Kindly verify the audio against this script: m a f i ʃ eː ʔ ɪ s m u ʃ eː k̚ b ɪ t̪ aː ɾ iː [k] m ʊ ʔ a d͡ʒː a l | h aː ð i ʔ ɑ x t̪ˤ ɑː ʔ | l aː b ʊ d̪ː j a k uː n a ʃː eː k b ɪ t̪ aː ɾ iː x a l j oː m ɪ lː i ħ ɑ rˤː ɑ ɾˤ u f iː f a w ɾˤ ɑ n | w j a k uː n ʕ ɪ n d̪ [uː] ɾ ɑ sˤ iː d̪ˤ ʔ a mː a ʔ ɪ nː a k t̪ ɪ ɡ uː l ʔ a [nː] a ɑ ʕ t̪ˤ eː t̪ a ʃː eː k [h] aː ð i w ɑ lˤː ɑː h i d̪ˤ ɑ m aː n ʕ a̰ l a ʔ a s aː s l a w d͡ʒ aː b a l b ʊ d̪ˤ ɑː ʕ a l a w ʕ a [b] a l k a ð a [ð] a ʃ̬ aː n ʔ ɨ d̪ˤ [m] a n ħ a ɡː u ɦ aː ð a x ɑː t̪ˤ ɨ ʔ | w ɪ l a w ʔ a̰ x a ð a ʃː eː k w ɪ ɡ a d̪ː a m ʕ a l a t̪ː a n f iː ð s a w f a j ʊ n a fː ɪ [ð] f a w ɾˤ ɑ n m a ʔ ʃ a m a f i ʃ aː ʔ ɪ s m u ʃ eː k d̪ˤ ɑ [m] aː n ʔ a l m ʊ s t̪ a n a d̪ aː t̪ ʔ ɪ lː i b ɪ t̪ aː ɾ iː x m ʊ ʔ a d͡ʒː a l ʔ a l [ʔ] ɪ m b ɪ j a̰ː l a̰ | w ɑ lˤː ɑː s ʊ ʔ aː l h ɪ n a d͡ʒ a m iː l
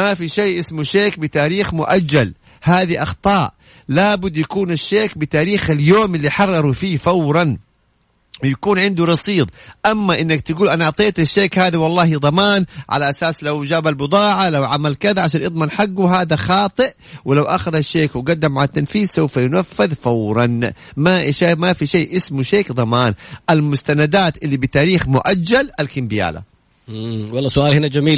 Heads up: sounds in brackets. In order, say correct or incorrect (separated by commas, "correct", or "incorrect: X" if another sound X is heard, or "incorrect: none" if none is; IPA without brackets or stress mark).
incorrect: x, incorrect: u, incorrect: n, correct, incorrect: m, incorrect: ʕ, correct, correct, correct, incorrect: k